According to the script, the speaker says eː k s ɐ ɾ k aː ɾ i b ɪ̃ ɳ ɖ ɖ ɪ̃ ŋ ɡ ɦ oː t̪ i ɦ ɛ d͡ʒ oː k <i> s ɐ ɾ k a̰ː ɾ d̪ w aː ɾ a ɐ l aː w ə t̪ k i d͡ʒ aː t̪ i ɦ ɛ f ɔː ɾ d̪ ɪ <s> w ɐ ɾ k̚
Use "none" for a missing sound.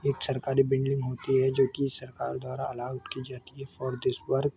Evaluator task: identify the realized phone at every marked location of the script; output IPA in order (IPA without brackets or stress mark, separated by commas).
i, s